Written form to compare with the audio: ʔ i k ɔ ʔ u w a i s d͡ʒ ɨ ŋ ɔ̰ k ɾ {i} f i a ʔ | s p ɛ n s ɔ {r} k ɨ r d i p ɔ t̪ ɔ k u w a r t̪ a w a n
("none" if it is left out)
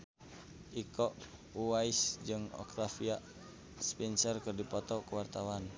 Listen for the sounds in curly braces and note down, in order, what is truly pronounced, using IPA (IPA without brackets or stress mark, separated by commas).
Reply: a, r